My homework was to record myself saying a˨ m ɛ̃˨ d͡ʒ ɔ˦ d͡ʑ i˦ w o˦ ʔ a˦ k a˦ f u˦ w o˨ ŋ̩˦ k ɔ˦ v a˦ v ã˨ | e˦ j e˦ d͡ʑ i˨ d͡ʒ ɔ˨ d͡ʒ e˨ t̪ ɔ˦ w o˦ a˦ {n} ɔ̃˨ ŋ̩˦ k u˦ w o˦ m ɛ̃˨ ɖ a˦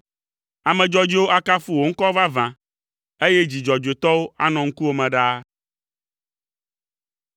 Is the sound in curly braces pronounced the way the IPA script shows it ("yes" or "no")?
yes